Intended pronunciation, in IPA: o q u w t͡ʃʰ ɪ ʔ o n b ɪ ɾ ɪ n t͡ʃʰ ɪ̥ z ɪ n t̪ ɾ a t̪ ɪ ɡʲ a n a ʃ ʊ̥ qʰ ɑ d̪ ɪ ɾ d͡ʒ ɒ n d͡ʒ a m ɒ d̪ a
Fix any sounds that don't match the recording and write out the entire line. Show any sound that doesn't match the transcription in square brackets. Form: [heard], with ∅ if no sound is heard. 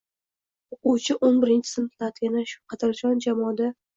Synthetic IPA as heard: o q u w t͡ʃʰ ɪ ʔ o n b ɪ ɾ ɪ n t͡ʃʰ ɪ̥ [s] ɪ n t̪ [l] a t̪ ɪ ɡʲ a n a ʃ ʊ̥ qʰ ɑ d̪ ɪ ɾ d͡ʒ ɒ n d͡ʒ a m ɒ d̪ a